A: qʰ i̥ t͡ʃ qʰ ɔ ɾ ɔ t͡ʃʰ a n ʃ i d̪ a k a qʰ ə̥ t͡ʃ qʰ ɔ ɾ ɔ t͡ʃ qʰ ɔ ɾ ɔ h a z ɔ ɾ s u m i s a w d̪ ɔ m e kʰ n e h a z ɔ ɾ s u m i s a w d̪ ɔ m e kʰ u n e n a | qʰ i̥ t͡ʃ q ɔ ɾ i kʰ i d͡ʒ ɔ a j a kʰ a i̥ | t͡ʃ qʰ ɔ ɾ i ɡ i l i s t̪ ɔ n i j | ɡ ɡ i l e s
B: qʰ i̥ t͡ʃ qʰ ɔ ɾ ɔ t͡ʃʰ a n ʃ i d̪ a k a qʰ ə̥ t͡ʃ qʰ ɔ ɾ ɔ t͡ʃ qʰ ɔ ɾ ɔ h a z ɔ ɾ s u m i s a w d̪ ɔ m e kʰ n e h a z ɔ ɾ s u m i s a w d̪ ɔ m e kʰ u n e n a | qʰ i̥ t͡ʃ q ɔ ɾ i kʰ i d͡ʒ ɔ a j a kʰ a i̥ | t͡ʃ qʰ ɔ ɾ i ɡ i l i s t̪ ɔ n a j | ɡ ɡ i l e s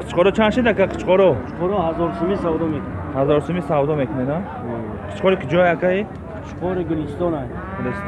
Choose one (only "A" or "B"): B